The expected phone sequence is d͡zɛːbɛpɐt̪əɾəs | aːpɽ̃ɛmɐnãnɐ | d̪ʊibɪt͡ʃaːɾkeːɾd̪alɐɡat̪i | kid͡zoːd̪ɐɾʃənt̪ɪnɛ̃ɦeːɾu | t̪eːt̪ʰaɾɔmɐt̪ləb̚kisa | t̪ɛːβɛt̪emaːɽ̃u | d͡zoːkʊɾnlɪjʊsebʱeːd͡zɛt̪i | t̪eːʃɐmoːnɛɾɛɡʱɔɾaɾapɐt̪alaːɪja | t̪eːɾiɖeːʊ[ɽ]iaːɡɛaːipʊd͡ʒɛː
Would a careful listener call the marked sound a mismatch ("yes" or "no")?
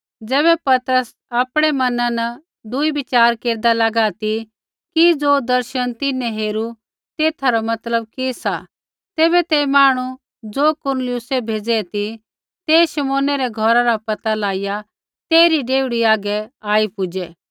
no